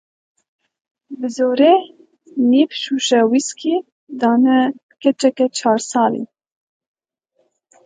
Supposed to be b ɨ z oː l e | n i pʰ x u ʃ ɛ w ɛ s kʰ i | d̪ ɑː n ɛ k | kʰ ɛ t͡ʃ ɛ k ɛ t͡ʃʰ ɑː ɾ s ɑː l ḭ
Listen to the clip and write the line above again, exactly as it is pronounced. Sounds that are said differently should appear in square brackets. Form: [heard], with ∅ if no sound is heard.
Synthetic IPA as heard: b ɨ z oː [ɾ] e | n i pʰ [ʃ] u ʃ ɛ w [i] s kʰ i | d̪ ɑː n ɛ [∅] | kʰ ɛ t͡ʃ ɛ k ɛ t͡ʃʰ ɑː ɾ s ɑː l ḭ